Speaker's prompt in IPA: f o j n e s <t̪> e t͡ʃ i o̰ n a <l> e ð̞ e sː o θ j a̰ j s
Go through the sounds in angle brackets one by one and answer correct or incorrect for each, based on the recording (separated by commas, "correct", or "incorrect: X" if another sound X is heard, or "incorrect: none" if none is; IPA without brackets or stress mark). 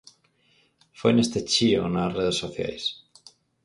correct, incorrect: r